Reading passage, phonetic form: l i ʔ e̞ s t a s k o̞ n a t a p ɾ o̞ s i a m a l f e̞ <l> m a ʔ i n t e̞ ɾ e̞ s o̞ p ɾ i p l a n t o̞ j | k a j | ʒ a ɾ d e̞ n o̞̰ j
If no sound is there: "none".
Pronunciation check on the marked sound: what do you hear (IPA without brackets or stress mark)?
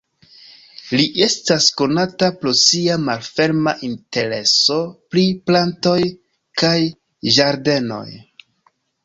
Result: ɾ